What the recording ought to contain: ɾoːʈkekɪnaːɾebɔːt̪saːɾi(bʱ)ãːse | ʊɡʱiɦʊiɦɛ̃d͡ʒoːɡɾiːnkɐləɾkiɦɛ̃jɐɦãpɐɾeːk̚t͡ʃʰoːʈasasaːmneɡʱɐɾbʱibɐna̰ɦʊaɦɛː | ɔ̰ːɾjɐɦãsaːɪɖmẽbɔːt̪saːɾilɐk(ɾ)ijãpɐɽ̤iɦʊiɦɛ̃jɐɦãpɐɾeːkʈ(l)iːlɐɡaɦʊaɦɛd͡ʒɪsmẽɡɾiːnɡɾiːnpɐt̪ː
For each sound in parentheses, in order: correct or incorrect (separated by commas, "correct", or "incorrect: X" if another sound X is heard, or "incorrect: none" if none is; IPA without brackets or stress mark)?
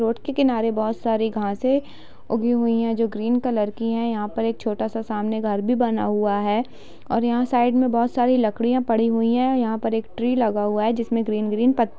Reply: incorrect: ɡʱ, incorrect: ɽ, incorrect: ɾ